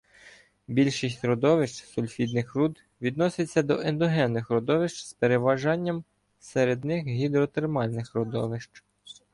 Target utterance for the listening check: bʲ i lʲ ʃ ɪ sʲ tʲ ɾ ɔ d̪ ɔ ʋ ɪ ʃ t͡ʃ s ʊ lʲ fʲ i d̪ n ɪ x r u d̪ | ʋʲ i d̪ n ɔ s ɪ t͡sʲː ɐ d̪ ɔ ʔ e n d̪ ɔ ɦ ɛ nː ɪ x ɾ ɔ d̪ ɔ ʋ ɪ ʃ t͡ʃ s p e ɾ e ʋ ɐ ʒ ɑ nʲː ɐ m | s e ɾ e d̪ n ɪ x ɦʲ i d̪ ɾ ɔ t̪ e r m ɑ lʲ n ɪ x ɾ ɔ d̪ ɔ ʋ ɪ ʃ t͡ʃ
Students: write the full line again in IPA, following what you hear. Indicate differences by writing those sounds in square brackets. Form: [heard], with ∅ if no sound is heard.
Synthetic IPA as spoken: bʲ i lʲ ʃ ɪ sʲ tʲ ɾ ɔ d̪ ɔ ʋ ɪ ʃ t͡ʃ s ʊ lʲ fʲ i d̪ n ɪ x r u d̪ | ʋʲ i d̪ n ɔ s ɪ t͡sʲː ɐ d̪ ɔ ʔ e n d̪ ɔ ɦ ɛ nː ɪ x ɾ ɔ d̪ ɔ ʋ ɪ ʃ t͡ʃ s p e ɾ e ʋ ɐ ʒ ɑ nʲː ɐ m | s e ɾ e d̪ n ɪ x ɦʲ i d̪ ɾ ɔ t̪ e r m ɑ lʲ n ɪ x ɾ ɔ d̪ ɔ ʋ ɪ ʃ t͡ʃ